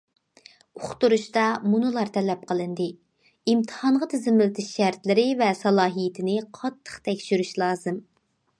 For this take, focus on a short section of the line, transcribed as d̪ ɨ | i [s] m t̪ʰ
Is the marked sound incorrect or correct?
incorrect